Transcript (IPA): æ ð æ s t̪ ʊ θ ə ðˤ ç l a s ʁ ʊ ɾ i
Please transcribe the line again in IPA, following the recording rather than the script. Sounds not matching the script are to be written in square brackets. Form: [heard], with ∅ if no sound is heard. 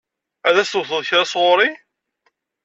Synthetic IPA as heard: æ ð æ s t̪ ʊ θ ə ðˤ ç [ɾ] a s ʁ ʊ ɾ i